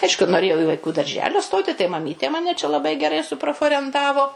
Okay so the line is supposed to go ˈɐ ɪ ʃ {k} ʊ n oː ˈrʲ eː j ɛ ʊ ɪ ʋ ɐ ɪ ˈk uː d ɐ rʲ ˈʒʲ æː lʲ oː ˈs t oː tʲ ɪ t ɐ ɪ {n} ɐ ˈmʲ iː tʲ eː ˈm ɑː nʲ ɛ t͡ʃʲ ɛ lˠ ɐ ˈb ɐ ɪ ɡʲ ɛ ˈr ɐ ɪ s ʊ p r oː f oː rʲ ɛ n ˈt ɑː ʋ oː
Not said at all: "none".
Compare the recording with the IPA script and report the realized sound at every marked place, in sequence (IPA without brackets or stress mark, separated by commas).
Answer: k, m